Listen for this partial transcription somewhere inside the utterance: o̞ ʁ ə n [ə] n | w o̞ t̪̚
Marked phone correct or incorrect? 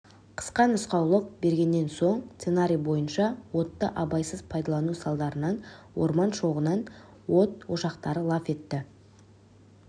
incorrect: ɑ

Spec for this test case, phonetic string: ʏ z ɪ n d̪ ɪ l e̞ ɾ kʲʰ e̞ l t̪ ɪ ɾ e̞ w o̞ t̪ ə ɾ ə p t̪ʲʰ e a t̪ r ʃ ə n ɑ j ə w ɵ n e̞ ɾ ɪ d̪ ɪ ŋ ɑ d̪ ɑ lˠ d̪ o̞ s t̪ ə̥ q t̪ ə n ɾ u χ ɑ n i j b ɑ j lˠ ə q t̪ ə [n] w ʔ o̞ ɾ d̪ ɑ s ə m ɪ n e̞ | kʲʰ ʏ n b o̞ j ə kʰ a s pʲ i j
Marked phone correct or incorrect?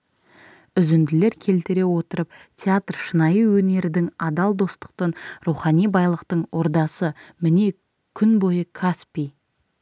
incorrect: ɴ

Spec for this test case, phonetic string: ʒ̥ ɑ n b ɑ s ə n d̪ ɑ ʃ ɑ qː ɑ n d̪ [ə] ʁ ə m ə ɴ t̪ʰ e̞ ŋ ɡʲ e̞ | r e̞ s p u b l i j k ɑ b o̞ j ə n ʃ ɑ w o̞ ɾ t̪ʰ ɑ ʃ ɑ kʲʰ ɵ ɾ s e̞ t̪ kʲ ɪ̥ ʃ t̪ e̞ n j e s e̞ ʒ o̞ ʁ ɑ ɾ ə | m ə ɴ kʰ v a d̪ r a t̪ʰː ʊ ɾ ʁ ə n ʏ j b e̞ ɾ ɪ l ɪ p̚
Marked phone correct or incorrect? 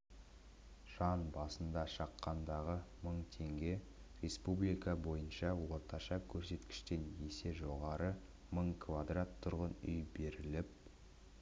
incorrect: ɑ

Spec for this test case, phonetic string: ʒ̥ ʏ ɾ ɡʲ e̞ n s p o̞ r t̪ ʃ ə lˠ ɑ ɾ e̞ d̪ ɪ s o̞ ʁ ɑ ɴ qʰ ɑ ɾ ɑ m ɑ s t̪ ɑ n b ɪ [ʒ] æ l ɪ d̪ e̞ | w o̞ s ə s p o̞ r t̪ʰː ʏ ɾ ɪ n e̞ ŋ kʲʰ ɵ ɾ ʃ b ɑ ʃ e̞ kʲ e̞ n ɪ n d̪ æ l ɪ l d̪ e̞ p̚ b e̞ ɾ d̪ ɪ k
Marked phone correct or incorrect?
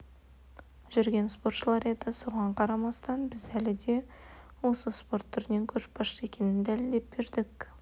incorrect: z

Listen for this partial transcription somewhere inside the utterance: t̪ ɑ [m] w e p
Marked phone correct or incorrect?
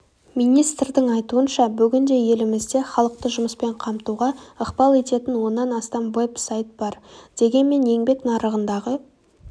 correct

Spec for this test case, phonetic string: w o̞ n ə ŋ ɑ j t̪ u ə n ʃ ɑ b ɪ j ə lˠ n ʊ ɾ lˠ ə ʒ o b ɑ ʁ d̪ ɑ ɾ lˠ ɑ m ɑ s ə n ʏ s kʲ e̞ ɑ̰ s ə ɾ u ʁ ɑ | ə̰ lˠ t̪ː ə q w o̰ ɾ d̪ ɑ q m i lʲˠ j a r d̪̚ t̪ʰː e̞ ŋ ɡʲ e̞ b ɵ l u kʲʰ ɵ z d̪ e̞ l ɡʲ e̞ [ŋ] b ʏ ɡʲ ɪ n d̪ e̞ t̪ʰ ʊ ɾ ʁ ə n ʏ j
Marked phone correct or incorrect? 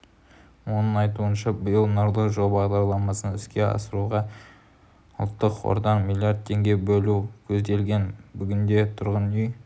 incorrect: n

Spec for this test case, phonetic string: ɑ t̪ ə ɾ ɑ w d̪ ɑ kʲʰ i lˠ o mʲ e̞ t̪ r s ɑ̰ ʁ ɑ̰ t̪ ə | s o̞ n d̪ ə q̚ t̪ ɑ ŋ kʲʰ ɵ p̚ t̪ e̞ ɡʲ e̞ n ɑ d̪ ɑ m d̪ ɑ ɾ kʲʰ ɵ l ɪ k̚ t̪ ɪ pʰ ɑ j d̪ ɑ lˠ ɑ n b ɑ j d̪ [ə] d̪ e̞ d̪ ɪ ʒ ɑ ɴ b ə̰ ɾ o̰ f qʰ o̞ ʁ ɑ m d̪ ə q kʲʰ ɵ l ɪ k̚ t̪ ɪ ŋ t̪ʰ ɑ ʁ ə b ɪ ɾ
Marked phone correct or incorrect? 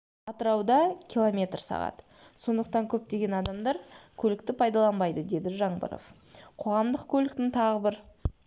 correct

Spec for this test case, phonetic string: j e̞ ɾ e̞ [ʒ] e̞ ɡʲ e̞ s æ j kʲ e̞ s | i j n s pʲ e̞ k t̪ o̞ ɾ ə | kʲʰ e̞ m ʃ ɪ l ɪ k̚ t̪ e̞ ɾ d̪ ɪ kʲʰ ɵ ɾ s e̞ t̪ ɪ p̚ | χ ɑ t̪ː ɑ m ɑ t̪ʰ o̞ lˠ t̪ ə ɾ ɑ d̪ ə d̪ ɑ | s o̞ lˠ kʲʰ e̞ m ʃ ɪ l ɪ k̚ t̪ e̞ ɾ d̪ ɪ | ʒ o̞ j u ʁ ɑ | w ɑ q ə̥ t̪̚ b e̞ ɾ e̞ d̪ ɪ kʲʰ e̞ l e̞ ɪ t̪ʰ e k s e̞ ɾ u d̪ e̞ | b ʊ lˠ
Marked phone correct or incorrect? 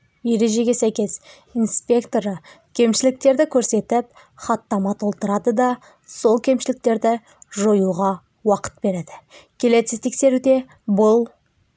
correct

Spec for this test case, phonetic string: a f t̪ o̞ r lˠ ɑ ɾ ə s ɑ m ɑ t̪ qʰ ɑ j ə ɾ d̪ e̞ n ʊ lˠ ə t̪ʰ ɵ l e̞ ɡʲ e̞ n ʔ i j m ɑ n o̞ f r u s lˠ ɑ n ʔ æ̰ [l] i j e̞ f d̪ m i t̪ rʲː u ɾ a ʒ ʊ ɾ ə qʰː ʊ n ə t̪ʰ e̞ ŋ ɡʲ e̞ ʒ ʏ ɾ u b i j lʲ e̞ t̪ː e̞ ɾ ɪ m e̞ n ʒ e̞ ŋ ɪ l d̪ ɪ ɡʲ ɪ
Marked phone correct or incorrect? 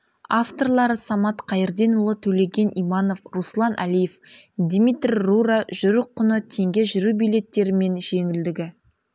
correct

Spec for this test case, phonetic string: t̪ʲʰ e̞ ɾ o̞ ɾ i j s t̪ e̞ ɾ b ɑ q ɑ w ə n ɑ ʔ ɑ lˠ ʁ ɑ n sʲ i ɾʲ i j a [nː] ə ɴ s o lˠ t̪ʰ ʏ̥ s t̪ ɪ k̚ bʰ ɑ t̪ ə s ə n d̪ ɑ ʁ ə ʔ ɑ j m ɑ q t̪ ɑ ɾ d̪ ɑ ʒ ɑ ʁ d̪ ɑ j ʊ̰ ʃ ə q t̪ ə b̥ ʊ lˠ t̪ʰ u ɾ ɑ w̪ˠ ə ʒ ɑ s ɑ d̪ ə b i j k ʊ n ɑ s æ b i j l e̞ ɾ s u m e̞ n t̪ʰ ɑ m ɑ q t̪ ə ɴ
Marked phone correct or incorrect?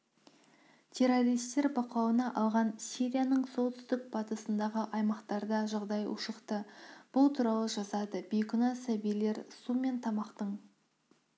incorrect: n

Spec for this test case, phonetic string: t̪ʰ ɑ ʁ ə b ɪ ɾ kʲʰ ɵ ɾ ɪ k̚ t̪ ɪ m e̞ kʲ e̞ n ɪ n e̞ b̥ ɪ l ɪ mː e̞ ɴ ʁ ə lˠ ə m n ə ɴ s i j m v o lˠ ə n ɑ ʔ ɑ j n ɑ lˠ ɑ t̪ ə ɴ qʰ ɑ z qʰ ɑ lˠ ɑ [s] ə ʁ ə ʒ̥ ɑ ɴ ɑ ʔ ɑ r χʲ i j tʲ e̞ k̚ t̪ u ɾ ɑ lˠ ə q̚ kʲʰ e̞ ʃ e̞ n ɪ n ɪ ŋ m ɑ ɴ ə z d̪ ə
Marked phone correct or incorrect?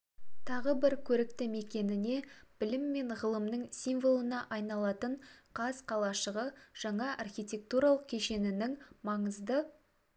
incorrect: ʃ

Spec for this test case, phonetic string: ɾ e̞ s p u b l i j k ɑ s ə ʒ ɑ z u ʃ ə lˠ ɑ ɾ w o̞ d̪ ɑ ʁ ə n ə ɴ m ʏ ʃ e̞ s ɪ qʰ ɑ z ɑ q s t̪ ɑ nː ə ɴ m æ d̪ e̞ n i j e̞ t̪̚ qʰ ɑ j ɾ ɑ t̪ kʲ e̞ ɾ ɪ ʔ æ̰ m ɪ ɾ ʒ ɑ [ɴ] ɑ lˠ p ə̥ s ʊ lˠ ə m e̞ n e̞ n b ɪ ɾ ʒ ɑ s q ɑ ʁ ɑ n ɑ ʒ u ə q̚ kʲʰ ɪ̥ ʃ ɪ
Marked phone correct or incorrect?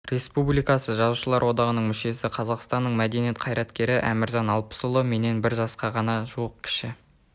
incorrect: n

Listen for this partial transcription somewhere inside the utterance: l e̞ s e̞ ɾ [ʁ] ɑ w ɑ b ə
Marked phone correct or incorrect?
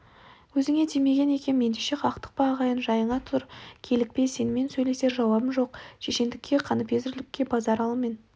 incorrect: ʒ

